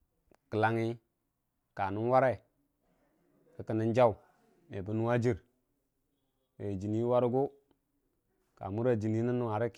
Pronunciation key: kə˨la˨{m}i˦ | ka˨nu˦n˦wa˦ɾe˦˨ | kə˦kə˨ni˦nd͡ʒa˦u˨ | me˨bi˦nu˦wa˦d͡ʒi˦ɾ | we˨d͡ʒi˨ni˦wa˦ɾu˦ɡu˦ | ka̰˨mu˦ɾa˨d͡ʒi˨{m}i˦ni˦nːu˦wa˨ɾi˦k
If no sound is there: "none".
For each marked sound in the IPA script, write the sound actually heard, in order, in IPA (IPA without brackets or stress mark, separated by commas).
ŋ, n